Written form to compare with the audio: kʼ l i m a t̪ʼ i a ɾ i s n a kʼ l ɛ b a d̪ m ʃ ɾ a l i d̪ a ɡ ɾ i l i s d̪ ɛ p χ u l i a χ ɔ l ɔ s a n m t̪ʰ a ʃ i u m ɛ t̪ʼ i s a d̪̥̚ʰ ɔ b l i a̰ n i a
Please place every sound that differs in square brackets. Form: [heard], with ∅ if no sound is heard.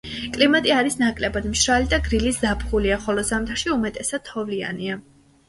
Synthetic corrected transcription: kʼ l i m a t̪ʼ i a ɾ i s n a kʼ l ɛ b a d̪ m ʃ ɾ a l i d̪ a ɡ ɾ i l i s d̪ [a] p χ u l i a χ ɔ l ɔ [z] a [∅] m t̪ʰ a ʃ i u m ɛ t̪ʼ [ɛ] s a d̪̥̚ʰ ɔ [v] l i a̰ n i a